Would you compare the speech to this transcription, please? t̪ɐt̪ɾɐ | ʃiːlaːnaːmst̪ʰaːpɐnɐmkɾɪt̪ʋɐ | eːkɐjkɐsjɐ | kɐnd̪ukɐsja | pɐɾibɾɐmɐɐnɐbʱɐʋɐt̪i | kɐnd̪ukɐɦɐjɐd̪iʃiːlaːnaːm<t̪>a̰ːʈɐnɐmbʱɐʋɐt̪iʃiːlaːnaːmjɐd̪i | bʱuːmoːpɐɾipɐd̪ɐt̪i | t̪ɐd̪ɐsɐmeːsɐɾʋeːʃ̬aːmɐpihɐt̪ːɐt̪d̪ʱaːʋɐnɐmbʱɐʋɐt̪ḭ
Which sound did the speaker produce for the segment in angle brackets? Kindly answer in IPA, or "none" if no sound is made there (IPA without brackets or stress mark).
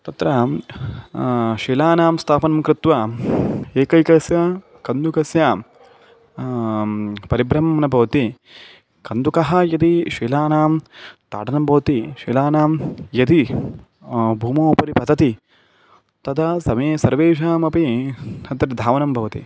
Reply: t̪